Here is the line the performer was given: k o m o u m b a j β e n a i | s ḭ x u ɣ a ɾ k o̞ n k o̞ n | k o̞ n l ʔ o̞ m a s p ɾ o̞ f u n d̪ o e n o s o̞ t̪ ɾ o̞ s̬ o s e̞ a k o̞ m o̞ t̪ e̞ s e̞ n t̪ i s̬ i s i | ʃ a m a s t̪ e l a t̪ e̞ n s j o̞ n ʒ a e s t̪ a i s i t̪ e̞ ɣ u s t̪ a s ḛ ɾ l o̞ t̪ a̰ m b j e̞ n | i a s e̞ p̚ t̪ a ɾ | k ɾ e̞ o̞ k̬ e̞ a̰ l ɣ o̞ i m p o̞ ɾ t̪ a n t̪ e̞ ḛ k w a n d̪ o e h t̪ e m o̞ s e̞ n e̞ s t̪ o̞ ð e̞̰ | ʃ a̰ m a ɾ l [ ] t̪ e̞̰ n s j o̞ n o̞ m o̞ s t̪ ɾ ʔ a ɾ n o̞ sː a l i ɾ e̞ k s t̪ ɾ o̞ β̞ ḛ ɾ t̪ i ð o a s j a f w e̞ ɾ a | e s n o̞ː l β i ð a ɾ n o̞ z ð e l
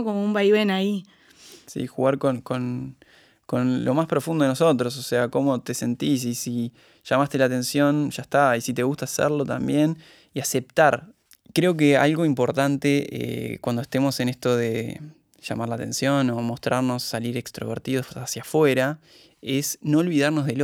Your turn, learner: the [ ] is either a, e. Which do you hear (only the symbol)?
a